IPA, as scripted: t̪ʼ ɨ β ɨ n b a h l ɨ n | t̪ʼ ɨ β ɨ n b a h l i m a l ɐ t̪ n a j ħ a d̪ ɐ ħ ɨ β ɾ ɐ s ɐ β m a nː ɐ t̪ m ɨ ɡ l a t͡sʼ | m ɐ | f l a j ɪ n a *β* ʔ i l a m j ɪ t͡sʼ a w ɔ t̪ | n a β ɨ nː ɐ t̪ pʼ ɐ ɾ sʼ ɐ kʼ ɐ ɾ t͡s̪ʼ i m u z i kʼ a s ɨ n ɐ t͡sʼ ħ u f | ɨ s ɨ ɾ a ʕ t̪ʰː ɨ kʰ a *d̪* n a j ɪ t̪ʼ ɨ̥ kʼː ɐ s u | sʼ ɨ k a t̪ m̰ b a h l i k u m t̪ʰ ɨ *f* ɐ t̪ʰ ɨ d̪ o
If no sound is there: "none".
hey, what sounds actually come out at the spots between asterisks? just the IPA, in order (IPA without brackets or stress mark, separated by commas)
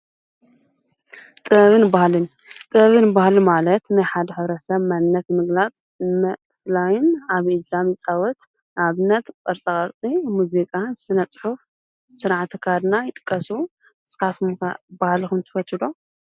β, d̪, f